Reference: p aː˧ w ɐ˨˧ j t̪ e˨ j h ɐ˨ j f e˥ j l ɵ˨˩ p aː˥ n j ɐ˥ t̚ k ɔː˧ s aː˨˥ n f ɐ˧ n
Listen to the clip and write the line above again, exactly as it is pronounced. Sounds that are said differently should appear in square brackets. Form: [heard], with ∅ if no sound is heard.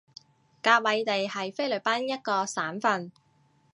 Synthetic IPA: [k] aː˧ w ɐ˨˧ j t̪ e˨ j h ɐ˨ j f e˥ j l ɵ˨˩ p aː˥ n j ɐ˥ t̚ k ɔː˧ s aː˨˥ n f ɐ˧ n